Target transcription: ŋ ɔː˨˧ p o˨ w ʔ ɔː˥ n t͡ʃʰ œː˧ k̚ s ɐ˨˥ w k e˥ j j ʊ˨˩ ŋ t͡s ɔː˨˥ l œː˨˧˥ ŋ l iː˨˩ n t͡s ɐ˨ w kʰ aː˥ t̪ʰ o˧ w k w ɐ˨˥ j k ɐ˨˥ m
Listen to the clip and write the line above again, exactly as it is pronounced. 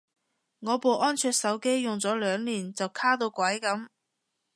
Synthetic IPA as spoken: ŋ ɔː˨˧ p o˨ w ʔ ɔː˥ n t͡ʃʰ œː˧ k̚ s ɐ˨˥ w k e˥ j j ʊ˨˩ ŋ t͡s ɔː˨˥ l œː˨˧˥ ŋ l iː˨˩ n t͡s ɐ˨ w kʰ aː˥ t̪ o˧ w k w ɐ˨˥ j k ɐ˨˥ m